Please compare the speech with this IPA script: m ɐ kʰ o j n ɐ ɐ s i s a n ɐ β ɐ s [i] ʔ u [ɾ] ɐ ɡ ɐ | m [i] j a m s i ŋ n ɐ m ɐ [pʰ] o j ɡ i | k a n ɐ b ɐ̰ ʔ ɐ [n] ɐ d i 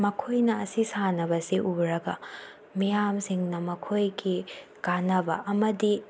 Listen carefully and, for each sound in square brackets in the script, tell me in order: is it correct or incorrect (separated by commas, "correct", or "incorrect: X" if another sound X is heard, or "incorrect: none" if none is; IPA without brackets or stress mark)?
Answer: correct, correct, correct, incorrect: kʰ, incorrect: m